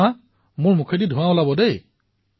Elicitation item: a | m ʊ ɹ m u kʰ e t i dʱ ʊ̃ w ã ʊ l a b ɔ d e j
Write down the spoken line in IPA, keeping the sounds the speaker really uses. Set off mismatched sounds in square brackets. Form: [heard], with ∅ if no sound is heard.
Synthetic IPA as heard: a | m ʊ ɹ m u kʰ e [d] i dʱ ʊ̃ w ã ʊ l a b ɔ d e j